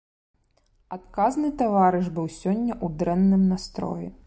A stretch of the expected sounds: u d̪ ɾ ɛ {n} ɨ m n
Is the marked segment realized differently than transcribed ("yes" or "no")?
yes